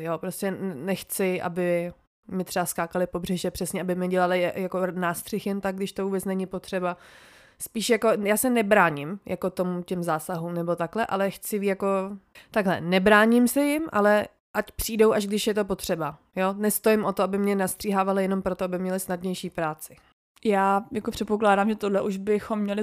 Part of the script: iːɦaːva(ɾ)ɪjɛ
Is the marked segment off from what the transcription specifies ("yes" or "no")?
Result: yes